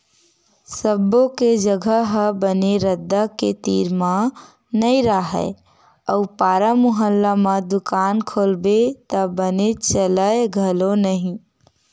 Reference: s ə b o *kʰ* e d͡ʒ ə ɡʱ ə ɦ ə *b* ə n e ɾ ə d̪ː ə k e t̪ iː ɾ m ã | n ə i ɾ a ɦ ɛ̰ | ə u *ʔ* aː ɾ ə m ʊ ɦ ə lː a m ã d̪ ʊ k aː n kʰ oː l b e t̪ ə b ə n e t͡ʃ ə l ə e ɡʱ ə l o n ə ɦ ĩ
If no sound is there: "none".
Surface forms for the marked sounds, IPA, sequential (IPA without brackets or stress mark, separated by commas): k, b, p